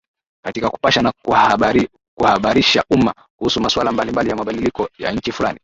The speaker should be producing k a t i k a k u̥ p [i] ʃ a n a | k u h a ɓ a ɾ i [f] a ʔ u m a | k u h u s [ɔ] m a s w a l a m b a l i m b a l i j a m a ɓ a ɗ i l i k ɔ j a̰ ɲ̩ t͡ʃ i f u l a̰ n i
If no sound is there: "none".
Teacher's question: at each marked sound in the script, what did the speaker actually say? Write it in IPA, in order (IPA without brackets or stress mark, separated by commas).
a, ʃ, u